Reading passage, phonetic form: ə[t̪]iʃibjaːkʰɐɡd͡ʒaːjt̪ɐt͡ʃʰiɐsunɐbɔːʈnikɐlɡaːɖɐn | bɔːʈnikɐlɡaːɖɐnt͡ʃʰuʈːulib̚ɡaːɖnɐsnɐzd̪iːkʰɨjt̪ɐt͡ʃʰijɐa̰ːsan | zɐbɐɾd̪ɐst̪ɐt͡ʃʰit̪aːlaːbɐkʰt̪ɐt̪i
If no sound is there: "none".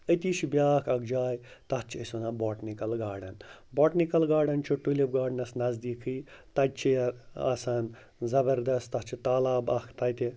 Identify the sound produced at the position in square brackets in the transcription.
t̪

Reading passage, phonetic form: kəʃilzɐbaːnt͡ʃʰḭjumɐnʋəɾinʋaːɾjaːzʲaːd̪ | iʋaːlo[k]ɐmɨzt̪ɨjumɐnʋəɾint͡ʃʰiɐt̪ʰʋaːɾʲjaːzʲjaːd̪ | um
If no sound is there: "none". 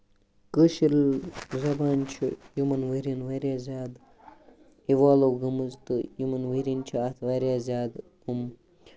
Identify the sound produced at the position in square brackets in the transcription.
ɡ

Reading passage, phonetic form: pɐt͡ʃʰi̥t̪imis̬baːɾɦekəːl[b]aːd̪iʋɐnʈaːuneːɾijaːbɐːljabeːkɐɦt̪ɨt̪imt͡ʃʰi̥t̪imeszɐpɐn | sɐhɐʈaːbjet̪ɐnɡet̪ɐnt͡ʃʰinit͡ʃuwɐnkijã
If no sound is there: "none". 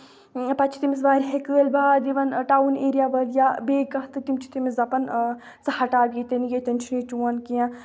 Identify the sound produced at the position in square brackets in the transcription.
b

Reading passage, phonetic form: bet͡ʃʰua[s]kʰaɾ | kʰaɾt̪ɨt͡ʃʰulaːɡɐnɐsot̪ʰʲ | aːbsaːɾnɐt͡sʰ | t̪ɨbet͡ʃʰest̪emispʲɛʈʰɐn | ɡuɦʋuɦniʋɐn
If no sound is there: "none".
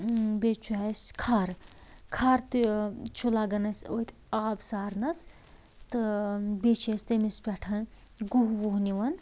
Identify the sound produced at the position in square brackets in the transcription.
s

